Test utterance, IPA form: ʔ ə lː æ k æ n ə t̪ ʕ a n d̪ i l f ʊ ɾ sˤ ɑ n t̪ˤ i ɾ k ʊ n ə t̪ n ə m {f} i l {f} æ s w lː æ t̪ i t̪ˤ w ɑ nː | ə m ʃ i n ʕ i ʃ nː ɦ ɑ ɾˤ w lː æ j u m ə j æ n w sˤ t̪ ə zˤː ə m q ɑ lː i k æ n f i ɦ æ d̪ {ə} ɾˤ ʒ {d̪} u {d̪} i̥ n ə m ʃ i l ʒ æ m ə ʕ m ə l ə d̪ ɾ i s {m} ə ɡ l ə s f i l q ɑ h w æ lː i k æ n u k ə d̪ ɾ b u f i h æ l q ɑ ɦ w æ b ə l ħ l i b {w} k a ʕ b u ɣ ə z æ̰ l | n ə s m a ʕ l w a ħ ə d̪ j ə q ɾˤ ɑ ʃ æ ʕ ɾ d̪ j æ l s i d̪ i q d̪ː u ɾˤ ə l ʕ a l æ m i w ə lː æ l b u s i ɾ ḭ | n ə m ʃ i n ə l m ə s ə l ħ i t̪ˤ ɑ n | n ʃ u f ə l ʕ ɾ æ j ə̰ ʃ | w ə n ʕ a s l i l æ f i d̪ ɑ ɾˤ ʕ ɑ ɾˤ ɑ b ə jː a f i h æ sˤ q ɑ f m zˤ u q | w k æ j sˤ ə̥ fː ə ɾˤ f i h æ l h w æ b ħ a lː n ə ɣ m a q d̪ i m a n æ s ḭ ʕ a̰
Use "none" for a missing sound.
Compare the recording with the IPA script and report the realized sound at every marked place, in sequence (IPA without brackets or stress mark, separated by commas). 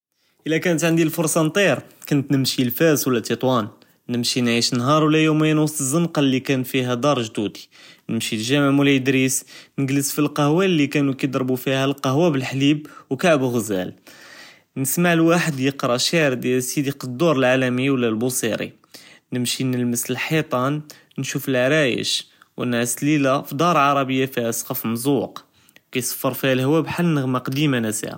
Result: ʃ, f, ɑ, d̪, d̪, n, w